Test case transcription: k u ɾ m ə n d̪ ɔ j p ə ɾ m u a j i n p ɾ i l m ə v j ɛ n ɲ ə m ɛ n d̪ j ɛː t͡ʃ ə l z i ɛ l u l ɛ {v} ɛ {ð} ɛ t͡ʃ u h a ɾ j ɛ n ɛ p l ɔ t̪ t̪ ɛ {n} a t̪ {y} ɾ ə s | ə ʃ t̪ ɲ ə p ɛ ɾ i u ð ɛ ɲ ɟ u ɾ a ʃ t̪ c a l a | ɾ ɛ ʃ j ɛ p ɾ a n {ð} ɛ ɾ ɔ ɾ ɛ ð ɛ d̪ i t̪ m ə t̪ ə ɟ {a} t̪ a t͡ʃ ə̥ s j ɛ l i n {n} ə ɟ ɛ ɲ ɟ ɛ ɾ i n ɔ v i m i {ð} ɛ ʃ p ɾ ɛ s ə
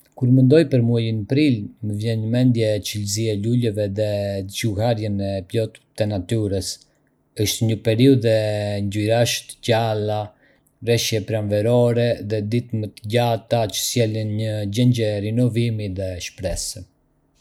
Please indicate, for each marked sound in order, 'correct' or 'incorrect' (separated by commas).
correct, correct, correct, correct, incorrect, correct, incorrect, correct